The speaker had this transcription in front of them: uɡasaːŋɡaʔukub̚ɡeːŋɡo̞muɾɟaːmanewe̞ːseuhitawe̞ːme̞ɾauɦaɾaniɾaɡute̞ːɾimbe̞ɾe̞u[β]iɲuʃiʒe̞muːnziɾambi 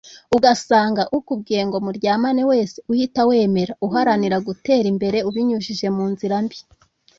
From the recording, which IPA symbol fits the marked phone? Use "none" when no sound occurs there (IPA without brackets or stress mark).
β